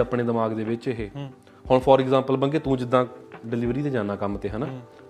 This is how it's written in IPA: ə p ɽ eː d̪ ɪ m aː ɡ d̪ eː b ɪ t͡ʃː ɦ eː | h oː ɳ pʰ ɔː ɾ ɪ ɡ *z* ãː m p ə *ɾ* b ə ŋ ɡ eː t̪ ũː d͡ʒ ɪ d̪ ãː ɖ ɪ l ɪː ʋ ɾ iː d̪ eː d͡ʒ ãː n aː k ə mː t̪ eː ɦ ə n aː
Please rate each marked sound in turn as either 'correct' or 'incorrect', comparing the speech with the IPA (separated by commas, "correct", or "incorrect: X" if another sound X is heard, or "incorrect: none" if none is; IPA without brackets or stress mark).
correct, incorrect: l